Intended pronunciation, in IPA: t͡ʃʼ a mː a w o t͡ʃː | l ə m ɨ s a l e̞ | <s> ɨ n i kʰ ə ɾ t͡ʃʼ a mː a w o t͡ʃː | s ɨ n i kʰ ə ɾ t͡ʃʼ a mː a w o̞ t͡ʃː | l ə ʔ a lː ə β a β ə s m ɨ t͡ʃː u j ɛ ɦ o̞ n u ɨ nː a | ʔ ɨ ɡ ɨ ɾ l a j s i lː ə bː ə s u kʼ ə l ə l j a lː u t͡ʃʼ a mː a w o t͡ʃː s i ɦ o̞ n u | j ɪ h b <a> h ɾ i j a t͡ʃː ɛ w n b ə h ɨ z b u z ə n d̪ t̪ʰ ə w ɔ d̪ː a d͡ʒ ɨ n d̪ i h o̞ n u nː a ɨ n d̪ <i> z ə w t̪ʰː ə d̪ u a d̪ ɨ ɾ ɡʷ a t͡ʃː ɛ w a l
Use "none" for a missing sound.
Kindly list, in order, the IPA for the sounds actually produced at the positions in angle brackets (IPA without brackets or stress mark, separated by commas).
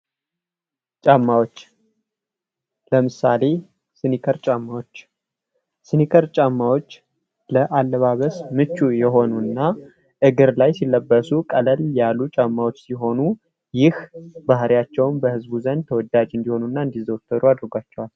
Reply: s, a, i